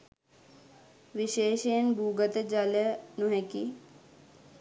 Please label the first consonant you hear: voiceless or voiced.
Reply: voiced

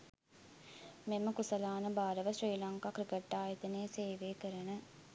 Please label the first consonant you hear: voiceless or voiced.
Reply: voiced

